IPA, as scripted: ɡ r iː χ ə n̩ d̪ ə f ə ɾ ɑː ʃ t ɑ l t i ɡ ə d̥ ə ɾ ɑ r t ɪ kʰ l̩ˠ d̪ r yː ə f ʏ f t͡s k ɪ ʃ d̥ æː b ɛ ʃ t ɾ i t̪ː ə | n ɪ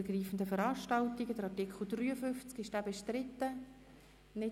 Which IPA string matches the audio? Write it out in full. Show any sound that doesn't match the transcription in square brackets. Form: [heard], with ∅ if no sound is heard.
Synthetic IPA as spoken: ɡ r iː [f] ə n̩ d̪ ə f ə ɾ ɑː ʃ t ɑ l t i ɡ ə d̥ ə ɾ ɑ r t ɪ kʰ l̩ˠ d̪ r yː ə f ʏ f t͡s k ɪ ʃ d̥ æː b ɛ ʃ t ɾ [ɪ] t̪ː ə | n ɪ